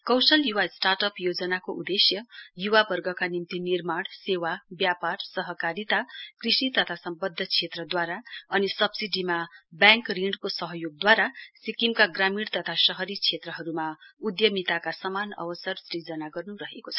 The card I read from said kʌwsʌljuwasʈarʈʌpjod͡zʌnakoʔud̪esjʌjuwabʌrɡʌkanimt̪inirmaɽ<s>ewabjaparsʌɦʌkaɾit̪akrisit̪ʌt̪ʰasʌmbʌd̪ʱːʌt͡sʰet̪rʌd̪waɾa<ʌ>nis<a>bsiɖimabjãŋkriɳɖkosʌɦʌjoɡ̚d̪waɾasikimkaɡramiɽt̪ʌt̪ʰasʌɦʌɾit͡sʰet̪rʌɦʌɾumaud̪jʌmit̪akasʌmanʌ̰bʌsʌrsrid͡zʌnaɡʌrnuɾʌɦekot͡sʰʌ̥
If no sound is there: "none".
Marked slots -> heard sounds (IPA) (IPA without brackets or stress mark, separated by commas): s, ʌ, ʌ